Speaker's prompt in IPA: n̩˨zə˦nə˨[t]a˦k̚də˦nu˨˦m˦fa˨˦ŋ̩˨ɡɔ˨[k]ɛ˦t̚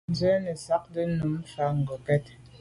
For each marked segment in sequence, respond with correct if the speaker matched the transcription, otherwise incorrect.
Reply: incorrect, correct

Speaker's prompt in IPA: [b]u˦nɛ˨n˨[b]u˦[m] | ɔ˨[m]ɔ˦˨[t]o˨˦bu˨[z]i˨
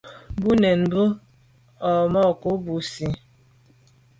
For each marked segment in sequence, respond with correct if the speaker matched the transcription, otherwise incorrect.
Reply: correct, correct, incorrect, correct, incorrect, incorrect

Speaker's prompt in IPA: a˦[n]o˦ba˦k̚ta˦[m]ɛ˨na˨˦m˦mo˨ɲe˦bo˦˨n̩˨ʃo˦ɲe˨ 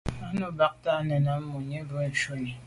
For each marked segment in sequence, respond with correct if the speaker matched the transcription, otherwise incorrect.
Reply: correct, incorrect

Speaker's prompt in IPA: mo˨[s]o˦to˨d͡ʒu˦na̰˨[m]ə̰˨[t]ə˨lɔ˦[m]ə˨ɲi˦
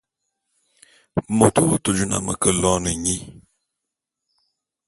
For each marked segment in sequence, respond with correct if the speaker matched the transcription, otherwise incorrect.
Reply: incorrect, correct, incorrect, incorrect

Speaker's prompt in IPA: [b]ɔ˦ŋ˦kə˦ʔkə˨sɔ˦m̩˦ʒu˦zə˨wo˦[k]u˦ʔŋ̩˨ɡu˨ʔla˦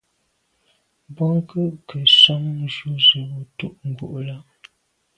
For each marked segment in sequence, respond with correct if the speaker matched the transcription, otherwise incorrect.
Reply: correct, incorrect

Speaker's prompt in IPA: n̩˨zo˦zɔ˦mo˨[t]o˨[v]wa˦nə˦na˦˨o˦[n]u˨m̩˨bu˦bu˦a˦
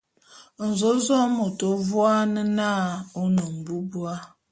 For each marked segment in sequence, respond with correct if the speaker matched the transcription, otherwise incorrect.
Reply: correct, correct, correct

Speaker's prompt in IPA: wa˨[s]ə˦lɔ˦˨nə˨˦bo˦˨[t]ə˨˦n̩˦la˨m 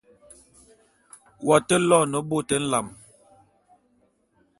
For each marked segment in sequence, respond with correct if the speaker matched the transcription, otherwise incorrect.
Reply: incorrect, correct

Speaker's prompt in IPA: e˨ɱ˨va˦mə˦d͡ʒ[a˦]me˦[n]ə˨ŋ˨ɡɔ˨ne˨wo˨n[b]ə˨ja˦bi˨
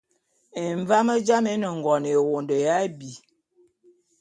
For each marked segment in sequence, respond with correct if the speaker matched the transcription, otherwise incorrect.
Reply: correct, correct, incorrect

